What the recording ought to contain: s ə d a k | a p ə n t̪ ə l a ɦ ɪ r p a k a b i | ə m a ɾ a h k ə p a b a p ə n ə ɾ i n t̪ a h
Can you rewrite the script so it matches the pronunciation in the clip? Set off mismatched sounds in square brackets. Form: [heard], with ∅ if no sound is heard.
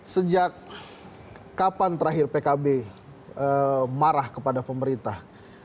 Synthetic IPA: s ə [d͡ʒ] a k | a p [a] n t̪ ə [ɾ] a ɦ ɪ r p [e] k a b [e] | ə m a ɾ a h k ə p a [d] a p ə [m] ə ɾ i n t̪ a h